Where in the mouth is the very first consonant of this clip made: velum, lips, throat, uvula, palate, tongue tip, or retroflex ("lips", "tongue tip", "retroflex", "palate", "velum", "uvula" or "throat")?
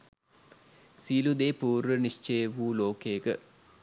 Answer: tongue tip